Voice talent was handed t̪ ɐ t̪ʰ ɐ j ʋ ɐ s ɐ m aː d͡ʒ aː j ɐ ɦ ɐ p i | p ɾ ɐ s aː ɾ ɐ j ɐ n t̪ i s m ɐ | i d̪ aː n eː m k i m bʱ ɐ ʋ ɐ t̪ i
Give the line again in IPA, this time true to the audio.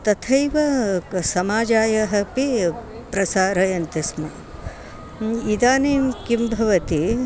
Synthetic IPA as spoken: t̪ ɐ t̪ʰ ɐ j ʋ ɐ s ɐ m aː d͡ʒ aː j ɐ ɦ ɐ p i | p ɾ ɐ s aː ɾ ɐ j ɐ n t̪ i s m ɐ | i d̪ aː n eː m k i m bʱ ɐ ʋ ɐ t̪ i

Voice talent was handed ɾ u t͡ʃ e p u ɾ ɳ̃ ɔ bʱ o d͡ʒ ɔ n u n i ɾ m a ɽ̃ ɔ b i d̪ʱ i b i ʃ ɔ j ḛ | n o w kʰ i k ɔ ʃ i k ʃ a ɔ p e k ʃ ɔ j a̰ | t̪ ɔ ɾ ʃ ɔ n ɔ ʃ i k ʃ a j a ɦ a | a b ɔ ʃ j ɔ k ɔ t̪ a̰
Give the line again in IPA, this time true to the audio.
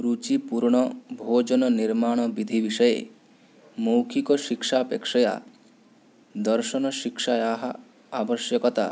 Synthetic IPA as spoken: ɾ u t͡ʃ i p u ɾ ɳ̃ ɔ bʱ o d͡ʒ ɔ n ɔ n i ɾ m a ɽ̃ ɔ b i d̪ʱ i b i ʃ ɔ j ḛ | m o w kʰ i k ɔ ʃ i k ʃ a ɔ p e k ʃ ɔ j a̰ | d̪ ɔ ɾ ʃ ɔ n ɔ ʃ i k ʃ a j a ɦ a | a b ɔ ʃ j ɔ k ɔ t̪ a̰

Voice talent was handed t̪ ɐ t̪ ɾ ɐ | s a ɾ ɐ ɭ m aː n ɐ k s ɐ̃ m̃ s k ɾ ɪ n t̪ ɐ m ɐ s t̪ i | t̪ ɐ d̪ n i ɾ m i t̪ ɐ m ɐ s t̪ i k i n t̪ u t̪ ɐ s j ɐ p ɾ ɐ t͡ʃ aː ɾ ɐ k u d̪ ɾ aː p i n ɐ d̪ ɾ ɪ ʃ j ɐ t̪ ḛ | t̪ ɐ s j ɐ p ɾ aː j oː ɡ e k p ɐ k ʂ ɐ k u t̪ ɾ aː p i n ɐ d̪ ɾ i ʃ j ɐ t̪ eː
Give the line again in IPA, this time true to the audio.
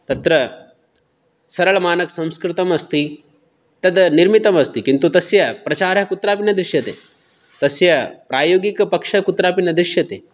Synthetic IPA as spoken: t̪ ɐ t̪ ɾ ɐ | s ɐ ɾ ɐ ɭ m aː n ɐ k s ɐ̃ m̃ s k ɾ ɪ t̪ ɐ m ɐ s t̪ i | t̪ ɐ d̪ n i ɾ m i t̪ ɐ m ɐ s t̪ i k i n t̪ u t̪ ɐ s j ɐ p ɾ ɐ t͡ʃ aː ɾ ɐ k u t̪ ɾ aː p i n ɐ d̪ ɾ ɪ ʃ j ɐ t̪ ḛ | t̪ ɐ s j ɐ p ɾ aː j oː ɡ i k p ɐ k ʂ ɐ k u t̪ ɾ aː p i n ɐ d̪ ɾ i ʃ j ɐ t̪ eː

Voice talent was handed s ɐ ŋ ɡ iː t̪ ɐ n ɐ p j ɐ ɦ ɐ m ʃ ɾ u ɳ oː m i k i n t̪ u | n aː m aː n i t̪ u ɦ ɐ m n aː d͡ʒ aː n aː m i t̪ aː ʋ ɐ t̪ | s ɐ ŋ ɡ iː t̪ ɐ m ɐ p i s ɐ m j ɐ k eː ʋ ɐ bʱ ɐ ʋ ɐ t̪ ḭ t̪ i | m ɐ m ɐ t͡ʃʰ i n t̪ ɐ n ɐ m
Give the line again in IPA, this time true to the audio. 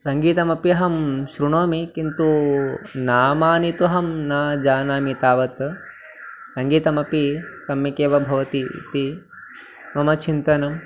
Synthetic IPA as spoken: s ɐ ŋ ɡ iː t̪ ɐ m ɐ p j ɐ ɦ ɐ m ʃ ɾ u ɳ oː m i k i n t̪ u | n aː m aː n i t̪ u ɦ ɐ m n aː d͡ʒ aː n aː m i t̪ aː ʋ ɐ t̪ | s ɐ ŋ ɡ iː t̪ ɐ m ɐ p i s ɐ m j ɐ k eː ʋ ɐ bʱ ɐ ʋ ɐ t̪ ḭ t̪ i | m ɐ m ɐ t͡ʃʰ i n t̪ ɐ n ɐ m

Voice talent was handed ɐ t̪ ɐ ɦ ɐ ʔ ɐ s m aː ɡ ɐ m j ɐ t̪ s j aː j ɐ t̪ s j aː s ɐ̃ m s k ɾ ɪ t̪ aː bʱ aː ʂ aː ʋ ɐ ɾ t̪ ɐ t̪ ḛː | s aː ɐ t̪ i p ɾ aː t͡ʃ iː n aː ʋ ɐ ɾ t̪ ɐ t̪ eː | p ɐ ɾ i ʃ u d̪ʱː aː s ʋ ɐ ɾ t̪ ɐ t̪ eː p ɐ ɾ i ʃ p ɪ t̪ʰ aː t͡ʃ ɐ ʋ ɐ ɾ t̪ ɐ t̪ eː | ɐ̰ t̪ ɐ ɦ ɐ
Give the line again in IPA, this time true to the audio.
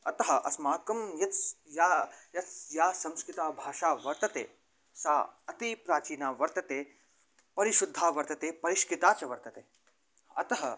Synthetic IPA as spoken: ɐ t̪ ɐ ɦ ɐ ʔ ɐ s m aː k ɐ m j ɐ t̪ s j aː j ɐ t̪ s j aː s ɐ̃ m s k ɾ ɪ t̪ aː bʱ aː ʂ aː ʋ ɐ ɾ t̪ ɐ t̪ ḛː | s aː ɐ t̪ i p ɾ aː t͡ʃ iː n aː ʋ ɐ ɾ t̪ ɐ t̪ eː | p ɐ ɾ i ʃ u d̪ʱː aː ʋ ɐ ɾ t̪ ɐ t̪ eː p ɐ ɾ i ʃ k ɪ t̪ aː t͡ʃ ɐ ʋ ɐ ɾ t̪ ɐ t̪ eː | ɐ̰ t̪ ɐ ɦ ɐ

